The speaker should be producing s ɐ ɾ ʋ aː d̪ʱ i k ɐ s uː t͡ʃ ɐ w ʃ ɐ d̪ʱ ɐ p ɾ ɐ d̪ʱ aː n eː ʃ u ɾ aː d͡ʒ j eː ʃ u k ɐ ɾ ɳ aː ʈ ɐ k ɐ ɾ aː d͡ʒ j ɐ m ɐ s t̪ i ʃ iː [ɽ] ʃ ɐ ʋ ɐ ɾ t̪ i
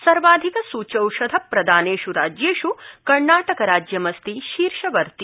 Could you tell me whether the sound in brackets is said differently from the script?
yes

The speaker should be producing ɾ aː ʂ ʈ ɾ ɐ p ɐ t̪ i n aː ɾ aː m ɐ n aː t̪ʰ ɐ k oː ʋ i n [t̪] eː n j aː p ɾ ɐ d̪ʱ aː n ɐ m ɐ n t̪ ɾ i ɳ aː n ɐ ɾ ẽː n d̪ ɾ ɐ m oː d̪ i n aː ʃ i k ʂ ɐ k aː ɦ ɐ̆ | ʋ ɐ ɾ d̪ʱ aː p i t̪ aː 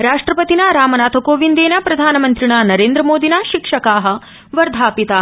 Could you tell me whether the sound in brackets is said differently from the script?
yes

